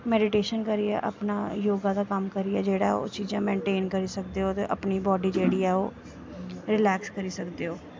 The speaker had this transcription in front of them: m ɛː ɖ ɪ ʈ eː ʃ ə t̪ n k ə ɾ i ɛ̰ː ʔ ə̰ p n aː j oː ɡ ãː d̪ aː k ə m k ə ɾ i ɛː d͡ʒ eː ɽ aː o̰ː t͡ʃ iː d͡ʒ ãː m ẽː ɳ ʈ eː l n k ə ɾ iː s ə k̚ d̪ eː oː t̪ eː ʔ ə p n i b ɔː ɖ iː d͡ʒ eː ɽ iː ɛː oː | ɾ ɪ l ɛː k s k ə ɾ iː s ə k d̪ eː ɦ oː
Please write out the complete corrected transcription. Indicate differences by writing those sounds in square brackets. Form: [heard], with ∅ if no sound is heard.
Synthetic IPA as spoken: m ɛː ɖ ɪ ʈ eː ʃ ə [∅] n k ə ɾ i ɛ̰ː ʔ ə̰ p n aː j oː ɡ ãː d̪ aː k ə m k ə ɾ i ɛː d͡ʒ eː ɽ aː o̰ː t͡ʃ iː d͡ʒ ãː m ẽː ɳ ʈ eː [∅] n k ə ɾ iː s ə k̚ d̪ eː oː t̪ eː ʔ ə p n [iː] b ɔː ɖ iː d͡ʒ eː ɽ iː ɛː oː | ɾ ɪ l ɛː k s k ə ɾ iː s ə k d̪ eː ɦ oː